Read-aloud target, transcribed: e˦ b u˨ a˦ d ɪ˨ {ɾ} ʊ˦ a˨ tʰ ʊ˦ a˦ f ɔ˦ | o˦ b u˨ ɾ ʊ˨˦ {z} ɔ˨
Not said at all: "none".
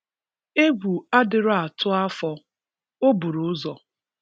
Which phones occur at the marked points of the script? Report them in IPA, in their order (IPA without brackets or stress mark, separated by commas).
ɾ, z